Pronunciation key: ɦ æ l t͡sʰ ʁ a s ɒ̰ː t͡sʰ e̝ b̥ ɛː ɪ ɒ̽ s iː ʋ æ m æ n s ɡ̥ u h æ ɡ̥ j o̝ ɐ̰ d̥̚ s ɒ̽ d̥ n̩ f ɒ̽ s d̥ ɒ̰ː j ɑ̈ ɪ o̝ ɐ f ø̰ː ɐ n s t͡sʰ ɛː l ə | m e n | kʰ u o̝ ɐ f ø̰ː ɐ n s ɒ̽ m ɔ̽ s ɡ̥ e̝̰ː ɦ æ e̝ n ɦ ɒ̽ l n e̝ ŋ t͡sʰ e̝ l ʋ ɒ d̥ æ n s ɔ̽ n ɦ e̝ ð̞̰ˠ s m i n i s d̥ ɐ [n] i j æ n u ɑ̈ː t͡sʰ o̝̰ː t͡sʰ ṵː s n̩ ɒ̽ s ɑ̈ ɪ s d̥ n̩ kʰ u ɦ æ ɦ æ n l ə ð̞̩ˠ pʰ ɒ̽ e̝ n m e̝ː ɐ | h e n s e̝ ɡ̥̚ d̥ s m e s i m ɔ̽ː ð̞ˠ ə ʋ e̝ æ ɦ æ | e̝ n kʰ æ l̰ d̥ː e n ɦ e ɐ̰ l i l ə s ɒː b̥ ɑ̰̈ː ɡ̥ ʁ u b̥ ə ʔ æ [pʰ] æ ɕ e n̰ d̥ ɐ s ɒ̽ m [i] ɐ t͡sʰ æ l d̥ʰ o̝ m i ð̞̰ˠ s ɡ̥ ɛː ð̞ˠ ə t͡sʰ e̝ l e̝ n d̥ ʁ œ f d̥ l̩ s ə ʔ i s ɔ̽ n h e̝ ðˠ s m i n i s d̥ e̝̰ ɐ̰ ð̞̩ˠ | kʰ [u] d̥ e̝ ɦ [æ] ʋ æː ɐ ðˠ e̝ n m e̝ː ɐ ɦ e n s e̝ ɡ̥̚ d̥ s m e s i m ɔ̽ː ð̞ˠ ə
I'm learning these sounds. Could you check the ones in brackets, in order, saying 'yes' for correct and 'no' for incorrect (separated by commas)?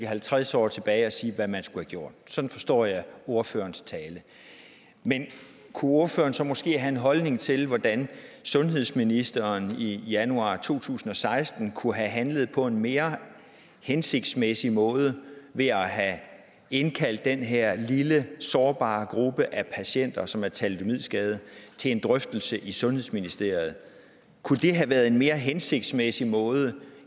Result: yes, yes, no, yes, yes